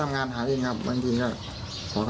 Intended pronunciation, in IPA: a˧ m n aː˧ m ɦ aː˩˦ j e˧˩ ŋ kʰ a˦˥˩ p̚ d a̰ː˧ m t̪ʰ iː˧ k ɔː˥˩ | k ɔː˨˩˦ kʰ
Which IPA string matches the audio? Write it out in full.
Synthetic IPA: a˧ m ŋ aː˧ n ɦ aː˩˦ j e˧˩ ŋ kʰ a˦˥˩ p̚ b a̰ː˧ ŋ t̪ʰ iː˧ k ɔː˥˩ | kʰ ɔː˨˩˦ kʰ